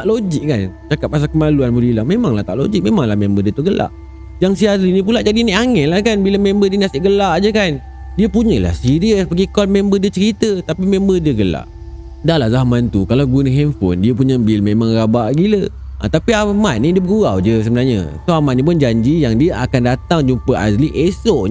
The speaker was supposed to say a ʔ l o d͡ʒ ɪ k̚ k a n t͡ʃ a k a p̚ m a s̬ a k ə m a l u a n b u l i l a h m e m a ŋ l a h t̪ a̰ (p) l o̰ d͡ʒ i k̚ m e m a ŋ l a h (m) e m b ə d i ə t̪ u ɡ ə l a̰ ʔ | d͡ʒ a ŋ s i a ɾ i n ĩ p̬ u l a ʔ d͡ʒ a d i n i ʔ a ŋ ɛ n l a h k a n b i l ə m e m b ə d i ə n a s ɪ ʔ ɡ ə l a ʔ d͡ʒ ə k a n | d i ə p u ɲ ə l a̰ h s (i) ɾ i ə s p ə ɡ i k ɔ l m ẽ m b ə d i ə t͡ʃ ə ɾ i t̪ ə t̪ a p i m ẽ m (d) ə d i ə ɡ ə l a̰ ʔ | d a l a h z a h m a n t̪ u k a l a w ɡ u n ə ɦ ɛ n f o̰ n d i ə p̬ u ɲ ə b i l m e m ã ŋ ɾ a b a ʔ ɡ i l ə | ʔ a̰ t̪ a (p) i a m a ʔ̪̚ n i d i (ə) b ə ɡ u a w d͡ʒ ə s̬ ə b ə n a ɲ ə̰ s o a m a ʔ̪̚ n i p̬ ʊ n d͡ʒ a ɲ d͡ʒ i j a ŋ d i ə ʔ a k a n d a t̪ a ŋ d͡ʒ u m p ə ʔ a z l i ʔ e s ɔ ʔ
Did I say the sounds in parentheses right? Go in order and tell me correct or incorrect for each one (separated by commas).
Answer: incorrect, correct, correct, incorrect, correct, correct